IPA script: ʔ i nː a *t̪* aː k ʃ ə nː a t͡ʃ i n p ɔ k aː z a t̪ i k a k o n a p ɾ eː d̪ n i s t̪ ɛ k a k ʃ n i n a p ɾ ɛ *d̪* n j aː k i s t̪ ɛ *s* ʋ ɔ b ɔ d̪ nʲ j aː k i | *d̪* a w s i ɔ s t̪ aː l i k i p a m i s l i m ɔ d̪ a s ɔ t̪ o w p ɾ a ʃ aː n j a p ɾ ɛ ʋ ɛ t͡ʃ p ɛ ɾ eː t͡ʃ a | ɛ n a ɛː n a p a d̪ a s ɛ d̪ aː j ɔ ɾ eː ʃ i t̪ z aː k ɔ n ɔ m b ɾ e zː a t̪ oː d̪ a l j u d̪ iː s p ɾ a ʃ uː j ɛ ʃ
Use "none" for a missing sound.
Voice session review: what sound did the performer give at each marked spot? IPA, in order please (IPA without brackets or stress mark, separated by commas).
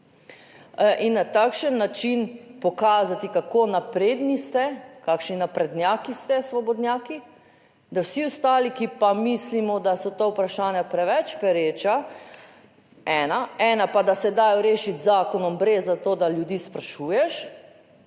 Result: t̪, d̪, s, d̪